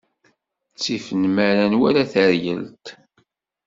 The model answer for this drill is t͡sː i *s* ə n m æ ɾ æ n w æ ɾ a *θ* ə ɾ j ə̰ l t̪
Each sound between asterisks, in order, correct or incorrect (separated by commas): incorrect, correct